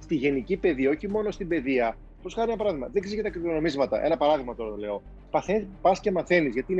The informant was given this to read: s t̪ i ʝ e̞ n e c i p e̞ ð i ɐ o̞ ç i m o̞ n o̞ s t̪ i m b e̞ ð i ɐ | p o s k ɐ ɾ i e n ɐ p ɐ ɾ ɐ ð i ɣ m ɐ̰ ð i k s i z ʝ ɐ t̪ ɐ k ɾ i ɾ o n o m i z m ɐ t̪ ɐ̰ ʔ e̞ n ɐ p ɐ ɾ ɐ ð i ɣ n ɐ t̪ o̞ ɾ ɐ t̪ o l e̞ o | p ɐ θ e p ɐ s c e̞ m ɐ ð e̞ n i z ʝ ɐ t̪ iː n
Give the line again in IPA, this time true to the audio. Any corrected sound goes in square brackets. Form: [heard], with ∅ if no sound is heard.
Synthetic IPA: s t̪ i ʝ e̞ n [i] c i p e̞ ð i ɐ o̞ ç i m o̞ n o̞ s t̪ i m b e̞ ð i ɐ | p o s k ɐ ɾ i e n ɐ p ɐ ɾ ɐ ð i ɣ m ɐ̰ ð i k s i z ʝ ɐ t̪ ɐ k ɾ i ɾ o n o m i z m ɐ t̪ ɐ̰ ʔ e̞ n ɐ p ɐ ɾ ɐ ð i ɣ [m] ɐ t̪ o̞ ɾ ɐ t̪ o l e̞ o | p ɐ θ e p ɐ s c e̞ m ɐ [θ] e̞ n i z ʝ ɐ t̪ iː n